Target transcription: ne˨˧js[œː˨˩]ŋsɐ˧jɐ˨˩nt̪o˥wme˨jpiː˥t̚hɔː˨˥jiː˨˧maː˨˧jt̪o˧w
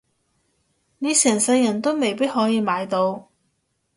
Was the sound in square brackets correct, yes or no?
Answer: no